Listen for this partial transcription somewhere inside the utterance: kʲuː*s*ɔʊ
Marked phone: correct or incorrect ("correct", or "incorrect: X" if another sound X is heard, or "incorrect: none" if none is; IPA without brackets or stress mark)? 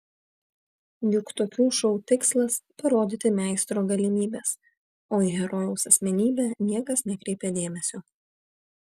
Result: incorrect: ʃ